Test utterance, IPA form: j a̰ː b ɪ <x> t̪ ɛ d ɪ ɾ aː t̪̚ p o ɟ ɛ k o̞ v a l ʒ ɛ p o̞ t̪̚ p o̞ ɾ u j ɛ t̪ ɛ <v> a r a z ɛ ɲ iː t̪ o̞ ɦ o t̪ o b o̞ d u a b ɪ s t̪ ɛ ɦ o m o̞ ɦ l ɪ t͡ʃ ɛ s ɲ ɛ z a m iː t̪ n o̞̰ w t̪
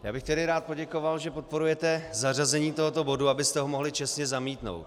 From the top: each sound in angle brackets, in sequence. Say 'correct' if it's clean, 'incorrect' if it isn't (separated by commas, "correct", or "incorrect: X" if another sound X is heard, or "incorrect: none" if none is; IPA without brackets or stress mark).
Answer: correct, incorrect: z